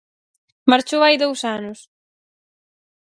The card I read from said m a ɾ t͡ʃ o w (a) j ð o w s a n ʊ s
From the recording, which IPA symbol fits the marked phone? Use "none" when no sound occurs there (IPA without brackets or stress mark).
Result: a